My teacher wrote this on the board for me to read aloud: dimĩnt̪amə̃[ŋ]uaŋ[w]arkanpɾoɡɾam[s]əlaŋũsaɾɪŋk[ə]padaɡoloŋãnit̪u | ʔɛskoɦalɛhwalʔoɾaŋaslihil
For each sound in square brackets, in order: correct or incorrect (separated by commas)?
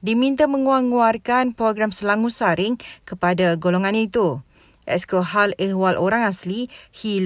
correct, incorrect, correct, correct